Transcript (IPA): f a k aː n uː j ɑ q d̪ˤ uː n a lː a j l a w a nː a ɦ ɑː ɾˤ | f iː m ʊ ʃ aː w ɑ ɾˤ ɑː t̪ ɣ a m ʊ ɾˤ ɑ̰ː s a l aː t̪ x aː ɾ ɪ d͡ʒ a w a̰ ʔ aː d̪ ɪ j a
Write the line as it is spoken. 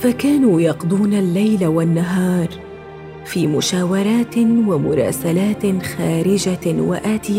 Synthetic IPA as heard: f a k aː n uː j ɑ q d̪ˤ uː n a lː a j l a w a nː a ɦ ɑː ɾˤ | f iː m ʊ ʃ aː w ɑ ɾˤ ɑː t̪ w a m ʊ ɾˤ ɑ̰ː s a l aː t̪ x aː ɾ ɪ d͡ʒ a w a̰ ʔ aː t̪ ɪ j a